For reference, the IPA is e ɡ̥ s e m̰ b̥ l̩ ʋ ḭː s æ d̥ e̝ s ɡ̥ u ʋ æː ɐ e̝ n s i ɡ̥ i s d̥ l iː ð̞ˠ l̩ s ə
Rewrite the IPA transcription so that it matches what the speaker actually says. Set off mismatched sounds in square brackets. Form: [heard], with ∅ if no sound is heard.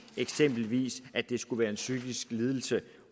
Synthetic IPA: e ɡ̥ s e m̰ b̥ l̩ ʋ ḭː s æ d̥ e̝ s ɡ̥ u ʋ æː ɐ e̝ n s [y] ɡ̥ i s [ɡ̥] l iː ð̞ˠ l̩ s ə